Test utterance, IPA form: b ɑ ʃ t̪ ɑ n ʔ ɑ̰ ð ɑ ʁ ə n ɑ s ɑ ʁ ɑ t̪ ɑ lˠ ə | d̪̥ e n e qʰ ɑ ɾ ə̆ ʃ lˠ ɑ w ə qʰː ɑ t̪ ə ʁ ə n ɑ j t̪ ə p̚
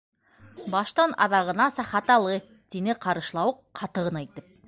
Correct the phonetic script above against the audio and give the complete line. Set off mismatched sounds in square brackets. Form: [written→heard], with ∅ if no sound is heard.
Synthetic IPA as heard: b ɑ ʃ t̪ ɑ n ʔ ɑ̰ ð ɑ ʁ ə n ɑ s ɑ [ʁ→χ] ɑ t̪ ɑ lˠ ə | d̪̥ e n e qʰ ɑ ɾ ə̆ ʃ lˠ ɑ w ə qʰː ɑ t̪ ə ʁ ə n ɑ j t̪ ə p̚